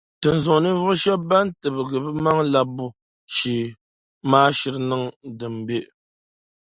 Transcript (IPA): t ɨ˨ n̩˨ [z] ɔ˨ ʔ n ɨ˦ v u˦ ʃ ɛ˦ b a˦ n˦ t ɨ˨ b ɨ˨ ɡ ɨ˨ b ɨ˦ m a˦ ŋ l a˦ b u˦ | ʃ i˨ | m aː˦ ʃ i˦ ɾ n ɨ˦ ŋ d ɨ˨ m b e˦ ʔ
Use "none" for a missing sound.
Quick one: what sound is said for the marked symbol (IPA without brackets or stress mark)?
z